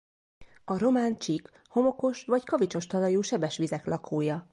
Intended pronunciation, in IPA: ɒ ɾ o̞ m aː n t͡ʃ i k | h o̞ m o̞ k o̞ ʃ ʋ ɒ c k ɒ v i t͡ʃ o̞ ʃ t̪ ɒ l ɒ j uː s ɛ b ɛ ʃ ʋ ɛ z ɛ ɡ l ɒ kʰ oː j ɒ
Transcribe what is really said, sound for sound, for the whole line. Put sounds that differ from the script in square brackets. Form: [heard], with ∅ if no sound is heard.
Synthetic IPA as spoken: ɒ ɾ o̞ m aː n t͡ʃ i k | h o̞ m o̞ k o̞ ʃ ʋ ɒ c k ɒ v i t͡ʃ o̞ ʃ t̪ ɒ l ɒ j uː [ʃ] ɛ b ɛ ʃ ʋ [i] z ɛ [k] l ɒ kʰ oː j ɒ

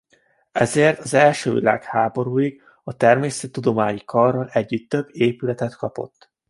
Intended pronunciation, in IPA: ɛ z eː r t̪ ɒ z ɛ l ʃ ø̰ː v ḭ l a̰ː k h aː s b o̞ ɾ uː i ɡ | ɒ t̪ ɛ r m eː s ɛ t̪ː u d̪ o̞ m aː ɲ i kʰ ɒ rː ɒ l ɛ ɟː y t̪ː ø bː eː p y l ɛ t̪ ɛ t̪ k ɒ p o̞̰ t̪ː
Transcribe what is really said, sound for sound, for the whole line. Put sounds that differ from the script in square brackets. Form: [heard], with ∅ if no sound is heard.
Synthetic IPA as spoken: ɛ z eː r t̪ ɒ z ɛ l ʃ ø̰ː v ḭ l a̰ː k h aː [∅] b o̞ ɾ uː i ɡ | ɒ t̪ ɛ r m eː s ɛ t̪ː u d̪ o̞ m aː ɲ i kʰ ɒ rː ɒ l ɛ ɟː y t̪ː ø bː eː p y l ɛ t̪ ɛ t̪ k ɒ p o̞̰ t̪ː

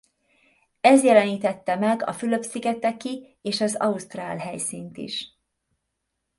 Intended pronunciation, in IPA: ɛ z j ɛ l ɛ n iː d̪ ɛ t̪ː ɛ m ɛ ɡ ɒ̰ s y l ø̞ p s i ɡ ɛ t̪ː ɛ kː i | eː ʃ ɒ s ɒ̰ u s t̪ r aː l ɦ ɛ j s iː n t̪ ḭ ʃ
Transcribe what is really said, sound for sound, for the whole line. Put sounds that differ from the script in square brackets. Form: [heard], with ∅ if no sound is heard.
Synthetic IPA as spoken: ɛ z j ɛ l ɛ n iː [t̪] ɛ t̪ː ɛ m ɛ ɡ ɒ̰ [f] y l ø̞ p s i ɡ ɛ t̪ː ɛ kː i | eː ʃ ɒ [z] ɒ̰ u s t̪ r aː l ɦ ɛ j s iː n t̪ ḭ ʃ

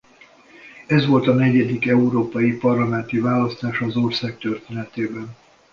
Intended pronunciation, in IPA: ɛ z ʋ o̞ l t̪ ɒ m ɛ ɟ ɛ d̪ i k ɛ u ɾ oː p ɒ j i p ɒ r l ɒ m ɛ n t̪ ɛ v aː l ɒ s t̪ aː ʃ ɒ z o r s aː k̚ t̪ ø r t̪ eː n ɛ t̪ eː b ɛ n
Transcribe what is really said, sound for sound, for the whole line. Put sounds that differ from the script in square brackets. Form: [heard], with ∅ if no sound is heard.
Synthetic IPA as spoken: ɛ z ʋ o̞ l t̪ ɒ [n] ɛ ɟ ɛ d̪ i k ɛ u ɾ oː p ɒ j i p ɒ r l ɒ m ɛ n t̪ [i] v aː l ɒ s t̪ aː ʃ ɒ z o r s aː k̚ t̪ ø r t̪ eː n ɛ t̪ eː b ɛ n

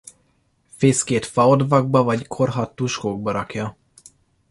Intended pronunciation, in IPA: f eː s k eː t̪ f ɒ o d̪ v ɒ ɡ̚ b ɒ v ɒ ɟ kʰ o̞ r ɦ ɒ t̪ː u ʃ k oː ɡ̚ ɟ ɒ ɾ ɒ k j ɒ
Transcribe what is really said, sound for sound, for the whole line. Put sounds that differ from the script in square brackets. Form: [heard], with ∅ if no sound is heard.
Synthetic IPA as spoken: f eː s k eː t̪ f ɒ o d̪ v ɒ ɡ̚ b ɒ v ɒ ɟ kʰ o̞ r ɦ ɒ t̪ː u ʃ k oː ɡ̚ [b] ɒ ɾ ɒ k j ɒ

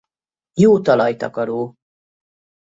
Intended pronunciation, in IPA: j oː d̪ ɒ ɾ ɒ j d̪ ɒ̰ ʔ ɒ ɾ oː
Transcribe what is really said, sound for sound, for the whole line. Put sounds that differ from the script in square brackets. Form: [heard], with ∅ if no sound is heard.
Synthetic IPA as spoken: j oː [t̪] ɒ [l] ɒ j [t̪] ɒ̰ [k] ɒ ɾ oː

